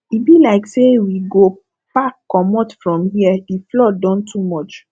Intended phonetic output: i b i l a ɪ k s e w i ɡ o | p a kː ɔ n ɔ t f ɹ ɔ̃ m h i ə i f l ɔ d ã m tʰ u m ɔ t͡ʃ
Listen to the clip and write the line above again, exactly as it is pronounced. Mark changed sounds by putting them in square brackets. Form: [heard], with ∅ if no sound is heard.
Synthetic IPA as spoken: i b i l a ɪ k s e w i ɡ o | p a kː ɔ [m] ɔ t f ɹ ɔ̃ m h i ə i f l ɔ d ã [n] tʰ u m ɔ t͡ʃ